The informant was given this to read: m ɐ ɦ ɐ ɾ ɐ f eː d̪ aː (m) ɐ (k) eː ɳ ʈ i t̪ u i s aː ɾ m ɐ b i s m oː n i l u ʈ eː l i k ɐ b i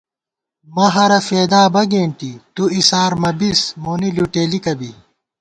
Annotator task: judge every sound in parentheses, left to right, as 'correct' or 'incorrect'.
incorrect: b, incorrect: ɡ

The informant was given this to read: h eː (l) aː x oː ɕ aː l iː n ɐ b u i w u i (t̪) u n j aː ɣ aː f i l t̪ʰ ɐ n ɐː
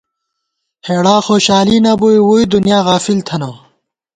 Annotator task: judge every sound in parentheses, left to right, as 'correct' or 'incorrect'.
incorrect: ɽ, incorrect: d̪

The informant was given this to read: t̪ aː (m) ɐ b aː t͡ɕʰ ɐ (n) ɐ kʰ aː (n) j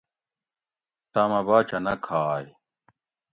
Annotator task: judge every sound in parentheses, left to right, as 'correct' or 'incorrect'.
correct, correct, incorrect: none

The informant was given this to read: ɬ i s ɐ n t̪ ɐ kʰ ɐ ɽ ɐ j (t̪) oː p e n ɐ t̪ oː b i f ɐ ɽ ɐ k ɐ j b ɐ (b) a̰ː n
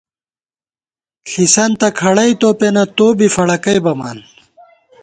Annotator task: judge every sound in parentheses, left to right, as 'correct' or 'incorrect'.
correct, incorrect: m

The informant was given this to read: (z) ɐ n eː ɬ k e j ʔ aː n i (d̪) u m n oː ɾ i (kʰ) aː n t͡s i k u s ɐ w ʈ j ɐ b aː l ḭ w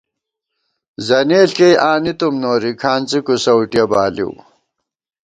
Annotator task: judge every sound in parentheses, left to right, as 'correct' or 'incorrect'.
correct, incorrect: t̪, correct

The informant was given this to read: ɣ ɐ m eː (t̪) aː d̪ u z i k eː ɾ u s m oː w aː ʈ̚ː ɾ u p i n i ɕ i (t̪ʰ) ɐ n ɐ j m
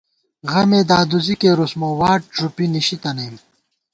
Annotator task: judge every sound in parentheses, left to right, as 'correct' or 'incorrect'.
incorrect: d̪, incorrect: t̪

